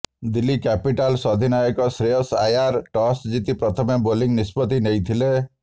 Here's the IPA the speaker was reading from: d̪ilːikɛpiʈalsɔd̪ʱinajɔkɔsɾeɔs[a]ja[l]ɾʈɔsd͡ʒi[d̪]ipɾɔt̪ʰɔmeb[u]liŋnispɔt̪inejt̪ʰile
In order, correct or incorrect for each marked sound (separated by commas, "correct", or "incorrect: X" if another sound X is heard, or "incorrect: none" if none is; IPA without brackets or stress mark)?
correct, incorrect: none, incorrect: t̪, incorrect: o